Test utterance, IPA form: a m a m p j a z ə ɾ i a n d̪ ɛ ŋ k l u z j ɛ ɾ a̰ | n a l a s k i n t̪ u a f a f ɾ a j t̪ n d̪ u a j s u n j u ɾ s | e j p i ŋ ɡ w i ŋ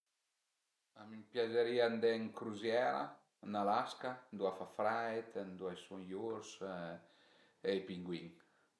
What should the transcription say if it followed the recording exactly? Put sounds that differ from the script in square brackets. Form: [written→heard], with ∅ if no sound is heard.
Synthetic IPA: a m [a→i] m p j a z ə ɾ i a n d̪ ɛ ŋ k [l→ɾ] u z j ɛ ɾ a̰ | n a l a s k [i→a] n [t̪→d̪] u a f a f ɾ a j t̪ n d̪ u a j s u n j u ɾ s | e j p i ŋ ɡ w i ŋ

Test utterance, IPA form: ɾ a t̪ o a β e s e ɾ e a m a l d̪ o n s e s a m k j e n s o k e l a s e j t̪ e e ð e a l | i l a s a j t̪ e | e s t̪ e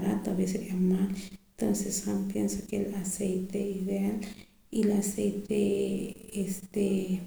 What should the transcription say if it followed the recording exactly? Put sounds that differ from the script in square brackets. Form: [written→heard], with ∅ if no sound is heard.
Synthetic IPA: ɾ a t̪ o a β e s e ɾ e a m a l [d̪→t̪] o n s e s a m [k→p] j e n s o k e l a s e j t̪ e [e→i] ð e a l | i l a s [a→e] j t̪ e | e s t̪ e

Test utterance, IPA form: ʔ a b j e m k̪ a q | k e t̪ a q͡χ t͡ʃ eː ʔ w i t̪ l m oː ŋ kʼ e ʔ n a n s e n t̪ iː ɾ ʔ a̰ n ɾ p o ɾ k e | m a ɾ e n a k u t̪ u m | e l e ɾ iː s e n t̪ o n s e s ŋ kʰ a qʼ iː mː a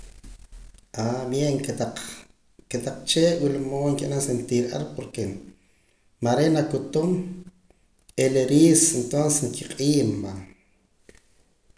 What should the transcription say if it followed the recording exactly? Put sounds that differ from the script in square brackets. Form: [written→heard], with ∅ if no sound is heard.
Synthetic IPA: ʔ a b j e [m→ŋ] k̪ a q | k e t̪ a q͡χ t͡ʃ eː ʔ w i [t̪→∅] l m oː ŋ [kʼ→k] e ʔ n a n s e n t̪ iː ɾ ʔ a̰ [n→∅] ɾ p o ɾ k e | m a ɾ e n a k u t̪ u m | e l e ɾ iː s e n t̪ o n s e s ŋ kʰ [a→i] qʼ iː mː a

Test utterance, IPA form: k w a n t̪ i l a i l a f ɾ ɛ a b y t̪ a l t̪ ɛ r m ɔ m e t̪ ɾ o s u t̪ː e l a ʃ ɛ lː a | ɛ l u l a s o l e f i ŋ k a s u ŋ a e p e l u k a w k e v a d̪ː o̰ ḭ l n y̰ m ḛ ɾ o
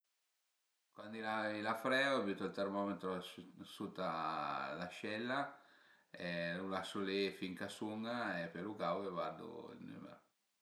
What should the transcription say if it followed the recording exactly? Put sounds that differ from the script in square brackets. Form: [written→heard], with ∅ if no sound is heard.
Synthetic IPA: k w a n [t̪→d̪] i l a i l a f ɾ ɛ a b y t̪ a l t̪ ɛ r m ɔ m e t̪ ɾ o s u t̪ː [e→a] l a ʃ ɛ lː a | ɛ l u l a s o l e f i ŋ k a s u ŋ a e p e l u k a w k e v a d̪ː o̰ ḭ l n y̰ m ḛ ɾ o

